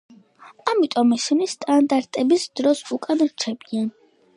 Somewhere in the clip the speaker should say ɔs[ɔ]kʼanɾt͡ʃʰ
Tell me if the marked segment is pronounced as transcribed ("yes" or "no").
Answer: no